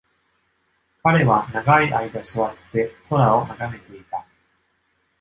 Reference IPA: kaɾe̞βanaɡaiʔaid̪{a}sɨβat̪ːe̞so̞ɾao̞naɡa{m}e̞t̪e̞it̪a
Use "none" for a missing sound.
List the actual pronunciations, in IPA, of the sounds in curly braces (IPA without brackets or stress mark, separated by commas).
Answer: a, m